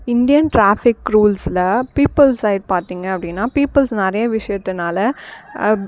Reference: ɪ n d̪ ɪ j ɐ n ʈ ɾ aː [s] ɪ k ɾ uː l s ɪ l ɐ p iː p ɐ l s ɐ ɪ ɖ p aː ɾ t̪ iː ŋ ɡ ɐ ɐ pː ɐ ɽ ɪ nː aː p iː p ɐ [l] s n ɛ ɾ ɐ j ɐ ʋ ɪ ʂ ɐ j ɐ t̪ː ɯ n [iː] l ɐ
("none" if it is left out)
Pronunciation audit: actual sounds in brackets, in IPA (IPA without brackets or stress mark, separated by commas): f, l, aː